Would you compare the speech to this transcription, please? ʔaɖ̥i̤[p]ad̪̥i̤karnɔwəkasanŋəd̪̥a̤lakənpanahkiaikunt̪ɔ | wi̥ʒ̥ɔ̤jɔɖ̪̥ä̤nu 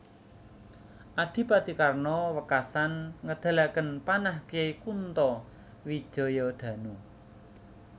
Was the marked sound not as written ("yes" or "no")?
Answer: no